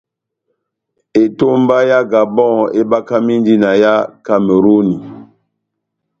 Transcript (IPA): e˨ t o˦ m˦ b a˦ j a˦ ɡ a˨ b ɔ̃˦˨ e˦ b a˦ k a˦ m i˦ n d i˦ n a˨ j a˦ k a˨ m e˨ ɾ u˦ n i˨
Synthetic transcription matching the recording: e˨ t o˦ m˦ b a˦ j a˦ ɡ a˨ b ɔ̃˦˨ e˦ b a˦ k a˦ m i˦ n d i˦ n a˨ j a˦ k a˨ m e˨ ɾ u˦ n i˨